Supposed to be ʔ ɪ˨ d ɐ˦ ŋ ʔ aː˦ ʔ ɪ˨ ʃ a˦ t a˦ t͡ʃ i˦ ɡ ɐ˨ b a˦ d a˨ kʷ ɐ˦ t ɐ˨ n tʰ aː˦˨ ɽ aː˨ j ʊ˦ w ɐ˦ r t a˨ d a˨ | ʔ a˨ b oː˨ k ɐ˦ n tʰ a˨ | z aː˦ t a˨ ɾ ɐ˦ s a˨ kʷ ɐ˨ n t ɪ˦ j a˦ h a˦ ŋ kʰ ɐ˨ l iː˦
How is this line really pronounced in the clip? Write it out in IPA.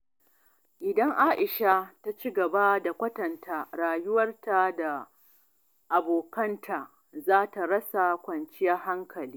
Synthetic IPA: ʔ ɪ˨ d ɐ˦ ŋ ʔ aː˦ ʔ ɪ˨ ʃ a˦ t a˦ t͡ʃ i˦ ɡ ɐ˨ b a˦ d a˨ kʷ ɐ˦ t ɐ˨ n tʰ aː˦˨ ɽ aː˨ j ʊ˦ w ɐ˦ r t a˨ d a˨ | ʔ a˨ b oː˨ k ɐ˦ n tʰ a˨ | z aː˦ t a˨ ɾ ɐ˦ s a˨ kʷ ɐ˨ n t͡ʃ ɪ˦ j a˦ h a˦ ŋ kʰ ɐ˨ l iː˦